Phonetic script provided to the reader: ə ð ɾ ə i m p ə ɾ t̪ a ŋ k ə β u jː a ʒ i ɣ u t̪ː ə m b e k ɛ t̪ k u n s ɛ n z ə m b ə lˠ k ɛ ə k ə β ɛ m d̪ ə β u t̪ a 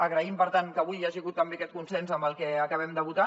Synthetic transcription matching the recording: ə ɣ ɾ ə i m p ə ɾ t̪ a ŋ k ə β u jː a ʒ i ɣ u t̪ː ə m b e k ɛ t̪ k u n s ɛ n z ə m b ə lˠ k ɛ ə k ə β ɛ m d̪ ə β u t̪ a